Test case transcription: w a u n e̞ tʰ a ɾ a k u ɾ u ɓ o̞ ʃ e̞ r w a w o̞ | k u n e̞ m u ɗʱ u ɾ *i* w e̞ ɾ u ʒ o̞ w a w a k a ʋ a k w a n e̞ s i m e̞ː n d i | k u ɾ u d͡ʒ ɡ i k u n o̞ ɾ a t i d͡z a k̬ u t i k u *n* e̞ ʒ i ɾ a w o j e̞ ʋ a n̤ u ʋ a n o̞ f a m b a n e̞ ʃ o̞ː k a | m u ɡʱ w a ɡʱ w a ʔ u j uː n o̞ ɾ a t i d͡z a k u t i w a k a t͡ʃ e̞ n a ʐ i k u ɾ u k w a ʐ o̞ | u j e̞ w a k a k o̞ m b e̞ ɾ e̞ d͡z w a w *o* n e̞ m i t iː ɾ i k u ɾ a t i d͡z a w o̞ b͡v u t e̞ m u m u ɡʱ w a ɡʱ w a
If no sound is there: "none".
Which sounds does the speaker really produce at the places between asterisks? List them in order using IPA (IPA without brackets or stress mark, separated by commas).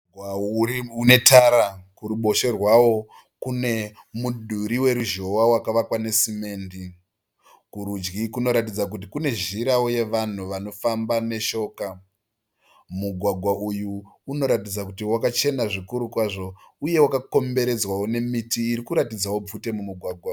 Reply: i, n, o